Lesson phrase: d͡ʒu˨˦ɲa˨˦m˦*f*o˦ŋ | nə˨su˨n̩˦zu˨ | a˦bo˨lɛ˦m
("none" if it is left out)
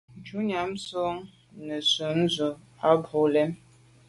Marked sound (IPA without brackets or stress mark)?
s